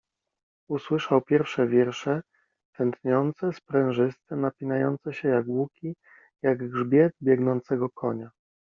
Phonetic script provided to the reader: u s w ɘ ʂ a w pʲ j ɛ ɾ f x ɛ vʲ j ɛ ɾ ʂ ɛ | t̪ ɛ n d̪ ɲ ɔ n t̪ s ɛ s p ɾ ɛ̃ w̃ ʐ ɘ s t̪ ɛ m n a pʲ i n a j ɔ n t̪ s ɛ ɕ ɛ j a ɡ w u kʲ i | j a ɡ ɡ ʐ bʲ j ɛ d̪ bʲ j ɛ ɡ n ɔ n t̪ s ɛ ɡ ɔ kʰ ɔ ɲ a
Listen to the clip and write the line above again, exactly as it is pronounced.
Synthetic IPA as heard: u s w ɘ ʂ a w pʲ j ɛ ɾ f ʂ ɛ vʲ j ɛ ɾ ʂ ɛ | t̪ ɛ n t̪ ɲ ɔ n t̪ s ɛ s p ɾ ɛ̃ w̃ ʐ ɘ s t̪ ɛ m n a pʲ i n a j ɔ n t̪ s ɛ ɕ ɛ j a ɡ w u kʲ i | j a ɡ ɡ ʐ bʲ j ɛ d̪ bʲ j ɛ ɡ n ɔ n t̪ s ɛ ɡ ɔ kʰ ɔ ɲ a